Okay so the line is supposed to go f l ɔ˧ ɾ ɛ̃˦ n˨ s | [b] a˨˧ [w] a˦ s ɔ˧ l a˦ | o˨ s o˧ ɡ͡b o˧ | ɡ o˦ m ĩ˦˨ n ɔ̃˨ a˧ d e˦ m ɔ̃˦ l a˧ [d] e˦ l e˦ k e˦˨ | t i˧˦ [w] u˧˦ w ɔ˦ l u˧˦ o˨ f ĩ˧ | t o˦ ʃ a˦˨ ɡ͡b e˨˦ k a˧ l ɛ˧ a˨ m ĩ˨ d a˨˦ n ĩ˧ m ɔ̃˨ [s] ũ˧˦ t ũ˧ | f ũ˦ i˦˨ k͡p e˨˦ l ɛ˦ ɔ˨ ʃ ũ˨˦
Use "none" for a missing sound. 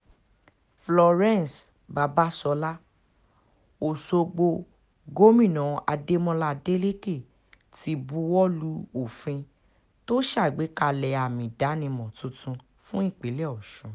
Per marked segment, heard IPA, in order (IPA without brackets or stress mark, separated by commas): b, b, d, b, t